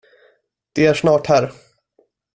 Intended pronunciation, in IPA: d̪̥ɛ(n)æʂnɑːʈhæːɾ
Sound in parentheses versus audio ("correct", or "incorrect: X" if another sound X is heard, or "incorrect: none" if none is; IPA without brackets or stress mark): incorrect: none